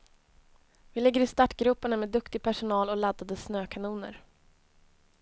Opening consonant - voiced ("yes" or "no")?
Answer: yes